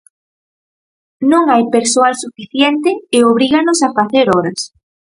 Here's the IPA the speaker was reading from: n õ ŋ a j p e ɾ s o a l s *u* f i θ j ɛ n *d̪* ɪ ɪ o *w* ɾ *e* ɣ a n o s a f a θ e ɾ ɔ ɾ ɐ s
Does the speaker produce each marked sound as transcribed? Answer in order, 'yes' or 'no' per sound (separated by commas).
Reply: yes, no, no, no